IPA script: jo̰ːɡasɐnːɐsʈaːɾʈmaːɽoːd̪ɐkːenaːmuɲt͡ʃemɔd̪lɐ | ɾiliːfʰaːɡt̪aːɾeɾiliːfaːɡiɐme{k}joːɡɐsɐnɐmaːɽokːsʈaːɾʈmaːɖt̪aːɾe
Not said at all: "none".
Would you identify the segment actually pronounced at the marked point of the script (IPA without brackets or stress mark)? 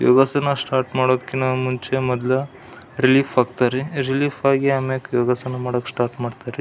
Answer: k